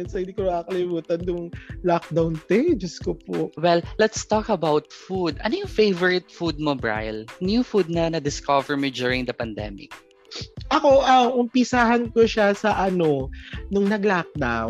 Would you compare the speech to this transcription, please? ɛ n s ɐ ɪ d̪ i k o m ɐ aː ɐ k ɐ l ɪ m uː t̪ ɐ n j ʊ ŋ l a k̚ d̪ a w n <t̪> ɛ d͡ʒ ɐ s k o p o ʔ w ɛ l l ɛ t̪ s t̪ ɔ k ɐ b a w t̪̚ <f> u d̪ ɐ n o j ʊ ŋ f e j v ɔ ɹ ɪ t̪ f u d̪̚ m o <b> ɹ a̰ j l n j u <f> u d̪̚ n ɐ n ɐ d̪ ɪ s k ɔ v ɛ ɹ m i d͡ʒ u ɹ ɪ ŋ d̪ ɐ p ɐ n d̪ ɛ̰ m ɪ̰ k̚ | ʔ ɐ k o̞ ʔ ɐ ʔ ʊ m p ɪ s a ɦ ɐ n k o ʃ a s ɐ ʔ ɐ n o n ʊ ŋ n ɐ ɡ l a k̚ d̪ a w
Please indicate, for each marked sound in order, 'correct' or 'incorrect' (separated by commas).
correct, correct, correct, correct